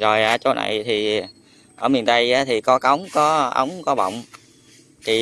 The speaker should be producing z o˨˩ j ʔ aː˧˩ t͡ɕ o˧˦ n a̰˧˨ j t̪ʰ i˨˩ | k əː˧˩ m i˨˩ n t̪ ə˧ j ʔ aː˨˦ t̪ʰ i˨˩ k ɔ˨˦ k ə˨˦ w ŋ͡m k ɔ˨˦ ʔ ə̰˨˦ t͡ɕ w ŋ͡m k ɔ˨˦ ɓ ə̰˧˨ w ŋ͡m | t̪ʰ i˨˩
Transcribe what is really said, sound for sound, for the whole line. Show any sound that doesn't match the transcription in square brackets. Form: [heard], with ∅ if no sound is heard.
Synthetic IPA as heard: z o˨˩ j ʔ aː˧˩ t͡ɕ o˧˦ n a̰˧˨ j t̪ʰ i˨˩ | [ʔ] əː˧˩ m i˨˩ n t̪ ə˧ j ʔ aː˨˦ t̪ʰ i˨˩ k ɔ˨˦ k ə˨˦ w ŋ͡m k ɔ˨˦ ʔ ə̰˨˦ [∅] w ŋ͡m k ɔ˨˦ ɓ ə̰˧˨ w ŋ͡m | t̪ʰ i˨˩